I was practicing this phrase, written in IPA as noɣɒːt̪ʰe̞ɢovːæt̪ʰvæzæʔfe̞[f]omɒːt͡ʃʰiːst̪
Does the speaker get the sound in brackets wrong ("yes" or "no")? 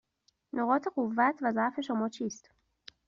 yes